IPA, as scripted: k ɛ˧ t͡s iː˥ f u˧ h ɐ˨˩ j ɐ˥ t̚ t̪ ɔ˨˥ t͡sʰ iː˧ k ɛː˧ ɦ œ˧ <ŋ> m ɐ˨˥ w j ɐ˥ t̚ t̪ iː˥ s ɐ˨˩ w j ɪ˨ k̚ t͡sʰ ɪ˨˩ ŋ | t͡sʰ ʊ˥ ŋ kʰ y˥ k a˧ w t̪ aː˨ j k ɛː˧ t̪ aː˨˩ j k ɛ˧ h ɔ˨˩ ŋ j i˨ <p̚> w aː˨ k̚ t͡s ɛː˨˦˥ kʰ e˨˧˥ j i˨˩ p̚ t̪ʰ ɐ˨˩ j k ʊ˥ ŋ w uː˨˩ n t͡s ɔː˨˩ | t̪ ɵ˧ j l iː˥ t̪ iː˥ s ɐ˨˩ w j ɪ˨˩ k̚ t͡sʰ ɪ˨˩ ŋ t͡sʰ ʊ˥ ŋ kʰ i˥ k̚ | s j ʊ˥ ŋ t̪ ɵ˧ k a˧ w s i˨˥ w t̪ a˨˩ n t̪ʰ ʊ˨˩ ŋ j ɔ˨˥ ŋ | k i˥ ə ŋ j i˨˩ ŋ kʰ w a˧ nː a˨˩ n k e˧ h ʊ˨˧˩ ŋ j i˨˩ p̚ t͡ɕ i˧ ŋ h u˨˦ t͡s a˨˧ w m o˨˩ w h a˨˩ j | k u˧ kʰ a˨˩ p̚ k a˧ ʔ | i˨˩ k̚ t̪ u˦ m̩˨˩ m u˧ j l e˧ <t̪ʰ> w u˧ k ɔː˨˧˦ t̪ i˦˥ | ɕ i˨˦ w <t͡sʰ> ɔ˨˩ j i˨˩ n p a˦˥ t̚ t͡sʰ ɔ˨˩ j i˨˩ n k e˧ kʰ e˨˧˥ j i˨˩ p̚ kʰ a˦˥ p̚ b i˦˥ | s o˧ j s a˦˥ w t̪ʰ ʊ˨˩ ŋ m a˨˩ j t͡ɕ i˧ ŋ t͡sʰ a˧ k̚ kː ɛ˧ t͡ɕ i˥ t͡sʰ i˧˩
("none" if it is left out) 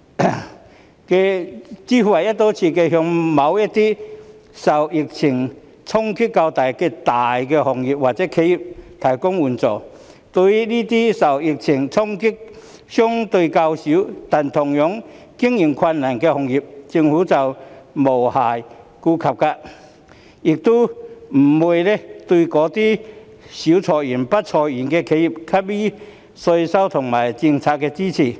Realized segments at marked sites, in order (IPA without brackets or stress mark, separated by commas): ŋ, p̚, t̪, t͡sʰ